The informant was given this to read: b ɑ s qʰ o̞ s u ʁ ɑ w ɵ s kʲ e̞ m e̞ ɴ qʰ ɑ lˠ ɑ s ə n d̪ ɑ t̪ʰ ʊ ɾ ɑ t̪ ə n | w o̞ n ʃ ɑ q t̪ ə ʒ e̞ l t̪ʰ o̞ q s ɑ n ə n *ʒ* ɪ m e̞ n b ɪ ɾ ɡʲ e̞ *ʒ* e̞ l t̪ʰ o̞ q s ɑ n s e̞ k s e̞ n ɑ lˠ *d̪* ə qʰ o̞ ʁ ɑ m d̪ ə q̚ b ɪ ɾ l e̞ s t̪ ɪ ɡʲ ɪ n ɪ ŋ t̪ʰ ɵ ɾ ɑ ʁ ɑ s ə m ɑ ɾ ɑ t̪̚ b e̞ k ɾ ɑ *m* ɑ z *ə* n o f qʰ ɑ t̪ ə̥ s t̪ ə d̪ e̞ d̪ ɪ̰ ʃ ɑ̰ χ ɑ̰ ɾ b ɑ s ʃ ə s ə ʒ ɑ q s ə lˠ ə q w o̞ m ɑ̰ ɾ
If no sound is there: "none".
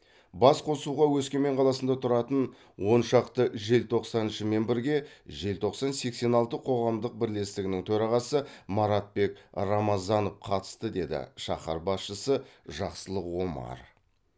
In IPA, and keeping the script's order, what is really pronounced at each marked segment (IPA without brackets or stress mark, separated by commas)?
ʃ, ʒ, t̪, m, ɑ